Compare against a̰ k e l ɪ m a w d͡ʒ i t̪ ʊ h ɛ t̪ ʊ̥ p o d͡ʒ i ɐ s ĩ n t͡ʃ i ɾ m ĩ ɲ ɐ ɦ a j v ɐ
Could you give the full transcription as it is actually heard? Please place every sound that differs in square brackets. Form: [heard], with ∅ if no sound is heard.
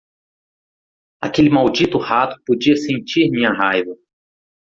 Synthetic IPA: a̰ k e l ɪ m a w d͡ʒ i t̪ ʊ h [a] t̪ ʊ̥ p o d͡ʒ i ɐ s [ẽ] n t͡ʃ i ɾ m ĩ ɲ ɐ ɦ a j v ɐ

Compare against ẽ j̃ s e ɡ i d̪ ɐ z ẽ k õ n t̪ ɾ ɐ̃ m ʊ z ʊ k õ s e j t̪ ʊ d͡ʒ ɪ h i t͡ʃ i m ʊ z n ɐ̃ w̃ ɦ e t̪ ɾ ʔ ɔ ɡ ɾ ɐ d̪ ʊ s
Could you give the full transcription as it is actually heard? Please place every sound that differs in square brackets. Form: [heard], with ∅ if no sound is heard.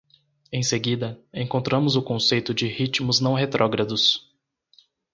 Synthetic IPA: ẽ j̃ s e ɡ i d̪ ɐ [∅] ẽ k õ n t̪ ɾ ɐ̃ m ʊ z ʊ k õ s e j t̪ ʊ d͡ʒ ɪ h i t͡ʃ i m ʊ z n ɐ̃ w̃ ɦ e t̪ ɾ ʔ ɔ ɡ ɾ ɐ d̪ ʊ s

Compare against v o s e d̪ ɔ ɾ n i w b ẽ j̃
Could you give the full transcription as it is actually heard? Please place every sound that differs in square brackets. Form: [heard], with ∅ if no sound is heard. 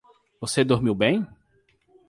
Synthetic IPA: v o s e d̪ [o] ɾ [m] i w b ẽ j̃

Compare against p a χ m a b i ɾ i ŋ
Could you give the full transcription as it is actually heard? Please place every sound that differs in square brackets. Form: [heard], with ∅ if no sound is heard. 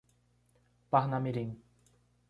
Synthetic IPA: p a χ [n] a [m] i ɾ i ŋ

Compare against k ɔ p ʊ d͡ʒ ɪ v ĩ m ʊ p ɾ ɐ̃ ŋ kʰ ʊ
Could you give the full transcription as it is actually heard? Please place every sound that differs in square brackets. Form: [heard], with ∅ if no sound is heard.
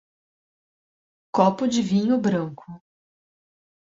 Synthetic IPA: k ɔ p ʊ d͡ʒ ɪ v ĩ [ɲ] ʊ [b] ɾ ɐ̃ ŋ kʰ ʊ

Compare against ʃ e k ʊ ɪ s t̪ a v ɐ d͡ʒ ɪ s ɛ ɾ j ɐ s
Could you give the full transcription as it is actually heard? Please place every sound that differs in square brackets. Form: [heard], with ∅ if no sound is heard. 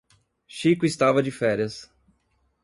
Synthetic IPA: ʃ [i] k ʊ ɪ s t̪ a v ɐ d͡ʒ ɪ [f] ɛ ɾ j ɐ s

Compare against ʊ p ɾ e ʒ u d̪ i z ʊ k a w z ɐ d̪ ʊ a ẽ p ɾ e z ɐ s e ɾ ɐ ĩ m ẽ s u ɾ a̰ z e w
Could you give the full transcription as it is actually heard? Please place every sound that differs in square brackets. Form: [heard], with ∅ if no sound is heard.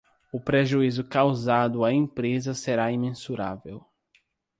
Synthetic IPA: ʊ p ɾ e ʒ u [∅] i z ʊ k a w z [a] d̪ ʊ a ẽ p ɾ e z ɐ s e ɾ [a] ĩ m ẽ s u ɾ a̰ [v] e w

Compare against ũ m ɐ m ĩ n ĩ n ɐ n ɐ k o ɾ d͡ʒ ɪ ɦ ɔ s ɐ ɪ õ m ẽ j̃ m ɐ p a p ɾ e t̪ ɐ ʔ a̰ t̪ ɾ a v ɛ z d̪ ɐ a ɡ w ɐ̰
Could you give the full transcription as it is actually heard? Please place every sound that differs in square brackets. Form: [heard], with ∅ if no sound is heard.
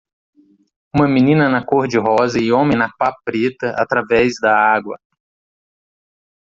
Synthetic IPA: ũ m ɐ m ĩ n ĩ n ɐ n ɐ k o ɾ d͡ʒ ɪ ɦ ɔ [z] ɐ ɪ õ m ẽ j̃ [n] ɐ p a p ɾ e t̪ ɐ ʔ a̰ t̪ ɾ a v ɛ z d̪ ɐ a ɡ w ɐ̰

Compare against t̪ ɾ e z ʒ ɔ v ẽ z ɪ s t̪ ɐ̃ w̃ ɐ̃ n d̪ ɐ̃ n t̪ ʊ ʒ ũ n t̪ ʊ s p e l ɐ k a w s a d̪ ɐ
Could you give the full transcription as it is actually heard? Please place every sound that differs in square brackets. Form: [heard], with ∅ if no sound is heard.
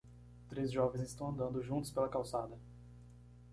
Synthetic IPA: t̪ ɾ e z ʒ ɔ v ẽ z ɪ s t̪ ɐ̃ w̃ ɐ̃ n d̪ ɐ̃ n [d̪] ʊ ʒ ũ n t̪ ʊ s p e l ɐ k a w s a d̪ ɐ

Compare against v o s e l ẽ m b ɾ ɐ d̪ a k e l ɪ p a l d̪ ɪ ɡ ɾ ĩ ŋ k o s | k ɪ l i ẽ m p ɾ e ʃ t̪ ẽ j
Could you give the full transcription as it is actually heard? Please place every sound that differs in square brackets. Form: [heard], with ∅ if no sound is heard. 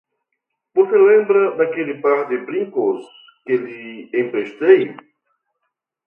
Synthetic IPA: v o s e l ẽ m b ɾ ɐ d̪ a k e l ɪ p a [ɾ] d̪ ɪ [b] ɾ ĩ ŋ k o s | k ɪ l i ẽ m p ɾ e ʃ t̪ [e] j

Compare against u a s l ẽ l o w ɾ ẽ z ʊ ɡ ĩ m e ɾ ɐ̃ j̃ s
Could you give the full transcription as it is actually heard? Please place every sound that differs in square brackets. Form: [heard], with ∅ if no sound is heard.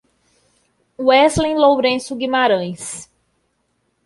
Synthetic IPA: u [ɛ] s l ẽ l o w ɾ ẽ [s] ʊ ɡ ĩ m [a] ɾ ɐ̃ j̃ s

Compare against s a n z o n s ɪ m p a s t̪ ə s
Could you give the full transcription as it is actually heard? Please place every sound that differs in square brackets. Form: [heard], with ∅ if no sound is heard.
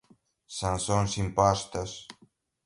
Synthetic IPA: s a n [s] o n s [i] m p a s t̪ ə s

